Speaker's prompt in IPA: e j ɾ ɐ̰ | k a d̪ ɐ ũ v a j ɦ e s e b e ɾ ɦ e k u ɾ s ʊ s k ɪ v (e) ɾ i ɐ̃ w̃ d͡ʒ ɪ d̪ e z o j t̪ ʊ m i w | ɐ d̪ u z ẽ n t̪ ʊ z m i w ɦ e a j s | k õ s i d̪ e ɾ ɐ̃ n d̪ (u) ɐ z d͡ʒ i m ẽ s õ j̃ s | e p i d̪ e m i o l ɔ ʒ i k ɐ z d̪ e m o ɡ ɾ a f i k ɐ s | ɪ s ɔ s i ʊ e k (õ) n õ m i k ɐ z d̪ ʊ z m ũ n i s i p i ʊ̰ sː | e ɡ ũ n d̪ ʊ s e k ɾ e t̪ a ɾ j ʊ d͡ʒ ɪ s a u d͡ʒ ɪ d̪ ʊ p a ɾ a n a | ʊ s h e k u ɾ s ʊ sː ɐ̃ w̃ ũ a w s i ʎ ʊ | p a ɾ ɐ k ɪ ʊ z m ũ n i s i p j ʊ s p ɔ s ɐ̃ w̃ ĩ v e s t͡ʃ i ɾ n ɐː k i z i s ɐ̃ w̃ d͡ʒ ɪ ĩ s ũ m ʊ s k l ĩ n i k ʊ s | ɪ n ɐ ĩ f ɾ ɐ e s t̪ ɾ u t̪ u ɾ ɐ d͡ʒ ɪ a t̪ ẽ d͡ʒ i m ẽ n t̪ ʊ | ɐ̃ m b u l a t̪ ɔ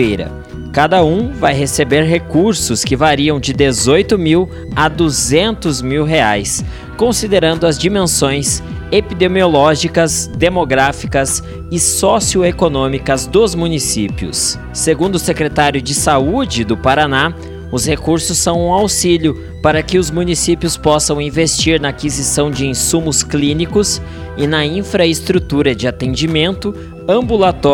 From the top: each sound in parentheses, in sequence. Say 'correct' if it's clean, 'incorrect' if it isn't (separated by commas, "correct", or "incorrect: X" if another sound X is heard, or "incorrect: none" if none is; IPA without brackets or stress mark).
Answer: incorrect: a, incorrect: ʊ, incorrect: o